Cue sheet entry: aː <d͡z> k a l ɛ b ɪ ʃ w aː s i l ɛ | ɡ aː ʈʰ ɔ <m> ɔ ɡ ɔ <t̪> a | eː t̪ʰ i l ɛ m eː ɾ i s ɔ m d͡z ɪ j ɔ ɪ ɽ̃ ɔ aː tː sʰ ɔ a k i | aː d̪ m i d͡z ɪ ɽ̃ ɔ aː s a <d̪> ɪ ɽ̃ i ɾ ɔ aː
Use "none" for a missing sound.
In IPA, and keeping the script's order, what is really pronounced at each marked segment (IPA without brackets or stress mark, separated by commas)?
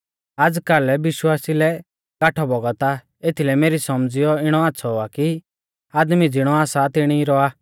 d͡z, b, t̪, t̪